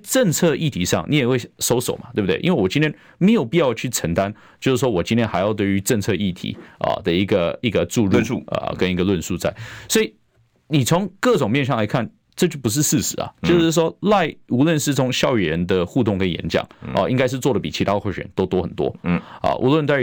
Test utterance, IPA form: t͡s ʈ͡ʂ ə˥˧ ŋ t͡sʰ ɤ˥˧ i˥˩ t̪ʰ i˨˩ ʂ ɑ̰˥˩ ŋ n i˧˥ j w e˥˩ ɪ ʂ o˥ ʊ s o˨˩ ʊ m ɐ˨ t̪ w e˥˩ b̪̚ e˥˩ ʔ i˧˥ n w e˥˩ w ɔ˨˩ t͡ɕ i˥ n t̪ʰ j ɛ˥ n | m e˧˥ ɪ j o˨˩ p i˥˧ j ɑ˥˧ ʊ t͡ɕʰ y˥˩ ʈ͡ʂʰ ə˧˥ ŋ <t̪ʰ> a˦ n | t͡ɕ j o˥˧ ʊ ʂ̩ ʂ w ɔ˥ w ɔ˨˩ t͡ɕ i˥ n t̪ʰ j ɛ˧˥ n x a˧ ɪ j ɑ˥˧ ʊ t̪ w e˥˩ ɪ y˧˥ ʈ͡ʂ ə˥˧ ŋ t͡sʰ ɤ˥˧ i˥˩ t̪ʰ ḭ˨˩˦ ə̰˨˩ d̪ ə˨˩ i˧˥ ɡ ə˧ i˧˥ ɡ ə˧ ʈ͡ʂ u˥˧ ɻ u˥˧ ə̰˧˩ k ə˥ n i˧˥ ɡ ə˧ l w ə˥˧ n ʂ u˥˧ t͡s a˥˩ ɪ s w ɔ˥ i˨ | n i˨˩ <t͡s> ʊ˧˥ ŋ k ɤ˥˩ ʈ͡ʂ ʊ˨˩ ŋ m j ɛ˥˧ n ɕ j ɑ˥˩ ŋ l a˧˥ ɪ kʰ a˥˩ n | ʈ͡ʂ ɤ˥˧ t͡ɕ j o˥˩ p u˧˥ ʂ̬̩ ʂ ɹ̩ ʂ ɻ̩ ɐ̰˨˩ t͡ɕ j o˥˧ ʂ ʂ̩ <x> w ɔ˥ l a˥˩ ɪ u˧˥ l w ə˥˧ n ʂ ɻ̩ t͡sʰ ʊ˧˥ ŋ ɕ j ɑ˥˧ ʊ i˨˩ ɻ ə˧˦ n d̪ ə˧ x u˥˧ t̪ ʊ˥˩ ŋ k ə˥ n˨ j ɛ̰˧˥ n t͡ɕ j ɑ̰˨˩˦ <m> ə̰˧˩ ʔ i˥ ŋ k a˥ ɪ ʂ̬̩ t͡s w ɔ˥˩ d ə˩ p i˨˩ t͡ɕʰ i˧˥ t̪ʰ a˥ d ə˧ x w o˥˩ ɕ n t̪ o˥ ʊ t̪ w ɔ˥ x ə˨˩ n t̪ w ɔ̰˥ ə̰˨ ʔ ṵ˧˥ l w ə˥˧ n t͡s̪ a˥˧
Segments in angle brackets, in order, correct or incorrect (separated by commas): incorrect, incorrect, incorrect, incorrect